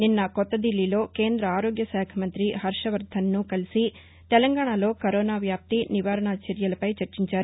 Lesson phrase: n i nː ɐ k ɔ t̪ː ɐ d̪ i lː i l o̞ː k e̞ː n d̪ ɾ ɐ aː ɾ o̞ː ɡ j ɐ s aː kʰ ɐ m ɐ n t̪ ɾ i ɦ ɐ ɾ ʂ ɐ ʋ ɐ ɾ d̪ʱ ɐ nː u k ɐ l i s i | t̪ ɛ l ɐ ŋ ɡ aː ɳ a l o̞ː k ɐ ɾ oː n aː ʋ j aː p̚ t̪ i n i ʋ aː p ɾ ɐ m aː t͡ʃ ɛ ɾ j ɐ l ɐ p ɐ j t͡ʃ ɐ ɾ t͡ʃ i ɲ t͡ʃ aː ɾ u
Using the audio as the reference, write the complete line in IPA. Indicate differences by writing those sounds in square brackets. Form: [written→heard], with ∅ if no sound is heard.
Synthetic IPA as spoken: n i nː ɐ k ɔ t̪ː ɐ d̪ i lː i l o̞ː k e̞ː n d̪ ɾ ɐ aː ɾ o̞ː ɡ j ɐ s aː kʰ ɐ m ɐ n t̪ ɾ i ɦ ɐ ɾ ʂ ɐ ʋ ɐ ɾ d̪ʱ ɐ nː u k ɐ l i s i | t̪ ɛ l ɐ ŋ ɡ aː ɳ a l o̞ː k ɐ ɾ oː n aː ʋ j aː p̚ t̪ i n i ʋ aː [p→∅] ɾ ɐ [m→ɳ] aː t͡ʃ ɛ ɾ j ɐ l ɐ p ɐ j t͡ʃ ɐ ɾ t͡ʃ i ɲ t͡ʃ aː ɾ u